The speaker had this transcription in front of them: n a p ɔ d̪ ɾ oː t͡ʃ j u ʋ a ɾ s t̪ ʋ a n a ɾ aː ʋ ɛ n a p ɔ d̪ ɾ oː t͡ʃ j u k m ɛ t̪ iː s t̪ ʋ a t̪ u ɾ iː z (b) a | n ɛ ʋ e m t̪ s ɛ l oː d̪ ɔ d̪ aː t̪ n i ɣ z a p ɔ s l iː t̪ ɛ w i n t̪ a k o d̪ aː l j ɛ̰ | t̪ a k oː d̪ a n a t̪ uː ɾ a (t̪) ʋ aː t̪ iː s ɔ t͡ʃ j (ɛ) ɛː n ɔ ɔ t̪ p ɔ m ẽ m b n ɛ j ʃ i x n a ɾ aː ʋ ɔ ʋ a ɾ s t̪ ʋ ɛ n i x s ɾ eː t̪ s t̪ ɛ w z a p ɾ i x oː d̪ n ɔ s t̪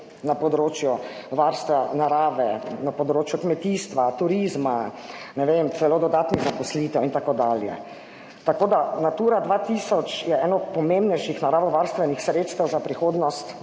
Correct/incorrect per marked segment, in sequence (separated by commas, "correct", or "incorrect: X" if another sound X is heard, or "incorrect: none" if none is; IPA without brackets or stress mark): incorrect: m, incorrect: d̪, correct